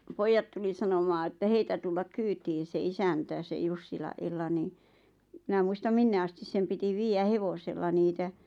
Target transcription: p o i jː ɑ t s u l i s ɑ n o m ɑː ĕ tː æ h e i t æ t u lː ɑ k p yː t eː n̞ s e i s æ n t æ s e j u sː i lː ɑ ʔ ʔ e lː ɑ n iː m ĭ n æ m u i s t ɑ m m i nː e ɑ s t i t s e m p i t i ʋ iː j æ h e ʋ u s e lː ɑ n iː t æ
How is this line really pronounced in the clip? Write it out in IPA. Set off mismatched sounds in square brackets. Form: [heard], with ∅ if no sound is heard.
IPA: p o i jː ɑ t [t] u l i s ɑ n o m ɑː ĕ tː æ h e i t æ t u lː ɑ k [k] yː t [iː] n̞ s e i s æ n t æ s e j u sː i [l] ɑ ʔ ʔ e lː ɑ n iː m ĭ n æ m u i s t ɑ m m i nː e ɑ s t i [s] s e m p i t i ʋ iː j æ h e ʋ [o] s e lː ɑ n iː t æ